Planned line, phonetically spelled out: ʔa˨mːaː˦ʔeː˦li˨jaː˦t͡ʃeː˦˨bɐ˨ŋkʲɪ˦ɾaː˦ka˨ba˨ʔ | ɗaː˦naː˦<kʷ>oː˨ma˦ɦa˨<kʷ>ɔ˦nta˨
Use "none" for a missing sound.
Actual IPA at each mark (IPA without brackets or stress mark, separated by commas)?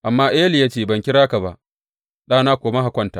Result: kʷ, kʷ